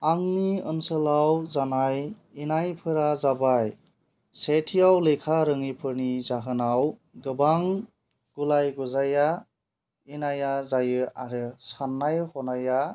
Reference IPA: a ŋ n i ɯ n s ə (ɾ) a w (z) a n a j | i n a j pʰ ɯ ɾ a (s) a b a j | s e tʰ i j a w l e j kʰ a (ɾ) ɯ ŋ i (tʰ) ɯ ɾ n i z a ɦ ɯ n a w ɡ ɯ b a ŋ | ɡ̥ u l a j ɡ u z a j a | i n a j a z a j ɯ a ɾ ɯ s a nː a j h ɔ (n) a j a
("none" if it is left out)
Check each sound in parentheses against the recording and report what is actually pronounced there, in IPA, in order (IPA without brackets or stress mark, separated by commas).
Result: l, z, z, ɾ, pʰ, n